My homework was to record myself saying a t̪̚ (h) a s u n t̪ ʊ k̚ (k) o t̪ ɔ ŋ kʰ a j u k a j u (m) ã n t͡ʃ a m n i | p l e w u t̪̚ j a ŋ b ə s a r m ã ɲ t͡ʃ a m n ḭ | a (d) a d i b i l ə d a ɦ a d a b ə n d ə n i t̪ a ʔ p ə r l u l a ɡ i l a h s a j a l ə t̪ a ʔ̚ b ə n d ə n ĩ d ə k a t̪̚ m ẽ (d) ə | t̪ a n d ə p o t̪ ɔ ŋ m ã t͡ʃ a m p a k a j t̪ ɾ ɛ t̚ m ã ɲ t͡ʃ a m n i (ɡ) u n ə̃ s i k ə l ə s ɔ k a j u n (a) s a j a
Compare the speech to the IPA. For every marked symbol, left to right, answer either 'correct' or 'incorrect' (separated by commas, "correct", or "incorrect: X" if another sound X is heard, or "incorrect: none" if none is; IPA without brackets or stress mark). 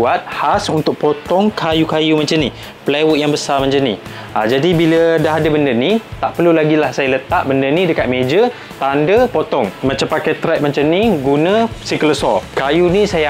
correct, incorrect: p, correct, incorrect: d͡ʒ, incorrect: d͡ʒ, correct, incorrect: i